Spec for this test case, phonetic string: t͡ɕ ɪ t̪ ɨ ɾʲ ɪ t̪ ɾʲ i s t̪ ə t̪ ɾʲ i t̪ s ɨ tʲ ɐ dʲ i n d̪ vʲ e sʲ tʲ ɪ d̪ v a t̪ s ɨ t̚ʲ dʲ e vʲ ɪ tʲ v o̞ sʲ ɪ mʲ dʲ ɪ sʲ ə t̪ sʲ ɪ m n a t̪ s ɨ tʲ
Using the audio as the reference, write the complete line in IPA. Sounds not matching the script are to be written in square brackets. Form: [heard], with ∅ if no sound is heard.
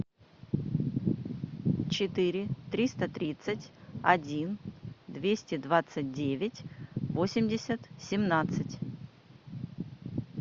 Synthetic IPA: t͡ɕ ɪ t̪ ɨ ɾʲ ɪ t̪ ɾʲ i s t̪ ə t̪ ɾʲ i t̪ s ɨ tʲ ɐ dʲ i n d̪ vʲ e sʲ tʲ ɪ d̪ v a t̪ s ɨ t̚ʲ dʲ e vʲ ɪ tʲ v o̞ sʲ ɪ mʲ dʲ ɪ sʲ ə t̪ sʲ ɪ m n a t̪ s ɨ tʲ